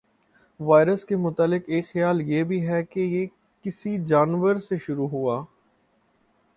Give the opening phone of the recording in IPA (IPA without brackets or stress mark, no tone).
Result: ʋ